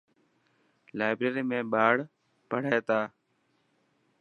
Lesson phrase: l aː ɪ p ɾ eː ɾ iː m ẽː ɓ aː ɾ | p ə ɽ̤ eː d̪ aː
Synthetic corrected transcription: l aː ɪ b ɾ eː ɾ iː m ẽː ɓ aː ɽ | p ə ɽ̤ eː t̪ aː

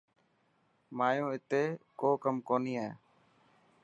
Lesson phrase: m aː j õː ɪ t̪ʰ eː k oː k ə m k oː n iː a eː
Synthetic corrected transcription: m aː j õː ɪ t̪ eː k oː k ə m k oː n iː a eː

